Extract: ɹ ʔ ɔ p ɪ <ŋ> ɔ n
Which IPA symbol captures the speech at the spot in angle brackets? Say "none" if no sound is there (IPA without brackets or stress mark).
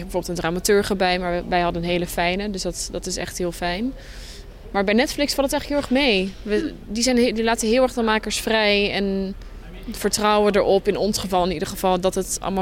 n